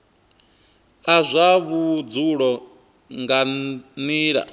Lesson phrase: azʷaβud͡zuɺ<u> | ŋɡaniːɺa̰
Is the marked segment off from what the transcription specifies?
yes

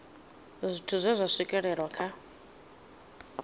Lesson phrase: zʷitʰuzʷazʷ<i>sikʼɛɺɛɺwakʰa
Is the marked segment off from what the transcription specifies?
yes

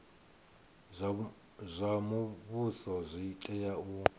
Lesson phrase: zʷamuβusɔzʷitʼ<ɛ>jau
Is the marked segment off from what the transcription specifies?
no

